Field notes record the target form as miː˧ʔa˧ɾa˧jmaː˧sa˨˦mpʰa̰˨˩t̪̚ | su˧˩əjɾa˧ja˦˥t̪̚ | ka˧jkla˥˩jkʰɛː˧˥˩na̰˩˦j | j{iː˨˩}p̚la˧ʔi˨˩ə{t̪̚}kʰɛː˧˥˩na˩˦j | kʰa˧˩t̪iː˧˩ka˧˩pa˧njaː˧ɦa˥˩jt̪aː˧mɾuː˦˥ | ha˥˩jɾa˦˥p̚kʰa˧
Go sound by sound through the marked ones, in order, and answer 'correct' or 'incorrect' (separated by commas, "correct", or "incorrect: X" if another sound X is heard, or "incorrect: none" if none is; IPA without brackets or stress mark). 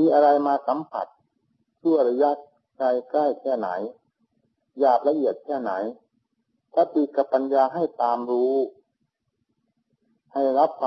incorrect: aː˨˩, correct